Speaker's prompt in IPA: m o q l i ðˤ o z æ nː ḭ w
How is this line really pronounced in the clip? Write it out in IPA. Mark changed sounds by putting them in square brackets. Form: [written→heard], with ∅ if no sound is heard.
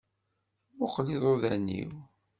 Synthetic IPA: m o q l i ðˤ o [z→ð] æ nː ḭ w